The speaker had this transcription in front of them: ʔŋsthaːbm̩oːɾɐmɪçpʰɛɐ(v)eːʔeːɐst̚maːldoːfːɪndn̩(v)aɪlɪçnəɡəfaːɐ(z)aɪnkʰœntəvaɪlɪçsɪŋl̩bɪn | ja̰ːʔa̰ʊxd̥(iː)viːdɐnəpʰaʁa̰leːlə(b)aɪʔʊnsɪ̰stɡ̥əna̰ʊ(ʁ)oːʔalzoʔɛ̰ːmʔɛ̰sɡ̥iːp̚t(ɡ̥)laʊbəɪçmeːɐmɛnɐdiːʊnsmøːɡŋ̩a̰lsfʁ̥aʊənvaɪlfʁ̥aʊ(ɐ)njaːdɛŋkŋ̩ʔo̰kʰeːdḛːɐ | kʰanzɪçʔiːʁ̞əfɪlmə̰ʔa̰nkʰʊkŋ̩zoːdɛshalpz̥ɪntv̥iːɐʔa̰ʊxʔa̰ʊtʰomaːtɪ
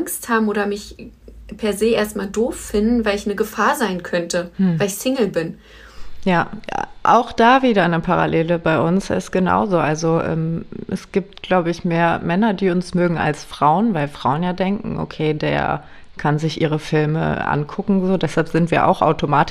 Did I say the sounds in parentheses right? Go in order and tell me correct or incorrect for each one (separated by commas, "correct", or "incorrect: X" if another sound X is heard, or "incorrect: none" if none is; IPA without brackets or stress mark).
incorrect: z, correct, correct, incorrect: aː, correct, incorrect: z, correct, incorrect: ə